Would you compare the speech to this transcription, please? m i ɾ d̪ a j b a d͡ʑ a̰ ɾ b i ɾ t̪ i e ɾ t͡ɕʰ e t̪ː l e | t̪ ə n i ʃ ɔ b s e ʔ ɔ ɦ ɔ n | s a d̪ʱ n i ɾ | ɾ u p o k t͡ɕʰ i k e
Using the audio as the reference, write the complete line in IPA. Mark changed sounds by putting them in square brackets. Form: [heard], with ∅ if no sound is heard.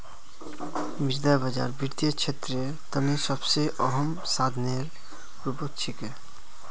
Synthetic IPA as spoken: m i ɾ d̪ a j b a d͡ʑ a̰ ɾ b i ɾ t̪ i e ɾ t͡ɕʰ e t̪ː [ɾ] e | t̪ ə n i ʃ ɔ b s e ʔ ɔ ɦ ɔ [m] | s a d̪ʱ n [e] ɾ | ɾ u p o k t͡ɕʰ i k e